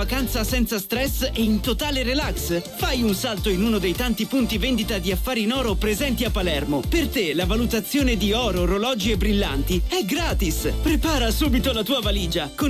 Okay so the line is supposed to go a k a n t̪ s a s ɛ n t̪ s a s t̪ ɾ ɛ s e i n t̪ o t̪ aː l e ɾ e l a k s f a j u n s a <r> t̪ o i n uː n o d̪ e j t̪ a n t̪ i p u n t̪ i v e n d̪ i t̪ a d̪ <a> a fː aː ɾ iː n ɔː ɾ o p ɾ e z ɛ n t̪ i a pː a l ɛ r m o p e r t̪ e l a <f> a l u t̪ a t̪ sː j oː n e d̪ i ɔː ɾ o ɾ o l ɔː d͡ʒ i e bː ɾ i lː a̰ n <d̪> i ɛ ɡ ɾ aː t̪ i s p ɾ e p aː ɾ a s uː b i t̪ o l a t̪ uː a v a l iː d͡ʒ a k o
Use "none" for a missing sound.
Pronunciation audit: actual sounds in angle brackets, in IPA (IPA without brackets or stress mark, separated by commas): l, i, v, t̪